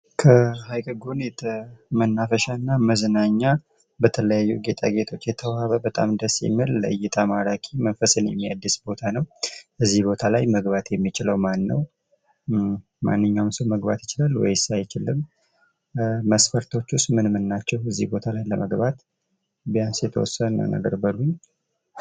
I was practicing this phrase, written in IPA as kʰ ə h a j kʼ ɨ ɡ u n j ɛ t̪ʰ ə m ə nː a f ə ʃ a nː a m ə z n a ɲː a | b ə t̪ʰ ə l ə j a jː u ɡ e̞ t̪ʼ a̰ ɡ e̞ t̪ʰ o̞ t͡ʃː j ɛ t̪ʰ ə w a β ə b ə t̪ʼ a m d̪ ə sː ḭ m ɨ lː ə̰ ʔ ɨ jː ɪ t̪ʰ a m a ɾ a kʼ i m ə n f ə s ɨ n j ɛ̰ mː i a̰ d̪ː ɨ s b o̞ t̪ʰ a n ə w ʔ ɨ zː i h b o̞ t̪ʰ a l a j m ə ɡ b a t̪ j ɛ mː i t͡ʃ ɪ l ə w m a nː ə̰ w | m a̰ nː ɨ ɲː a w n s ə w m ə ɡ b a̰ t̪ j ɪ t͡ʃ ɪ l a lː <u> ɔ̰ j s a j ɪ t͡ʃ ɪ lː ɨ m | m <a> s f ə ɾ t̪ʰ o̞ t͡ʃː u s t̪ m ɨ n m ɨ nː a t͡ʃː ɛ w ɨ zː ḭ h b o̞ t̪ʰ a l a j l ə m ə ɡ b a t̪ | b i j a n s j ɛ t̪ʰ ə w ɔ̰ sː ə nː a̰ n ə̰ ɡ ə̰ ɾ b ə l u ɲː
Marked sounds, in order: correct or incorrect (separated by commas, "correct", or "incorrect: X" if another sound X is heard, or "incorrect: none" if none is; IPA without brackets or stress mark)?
incorrect: w, incorrect: ə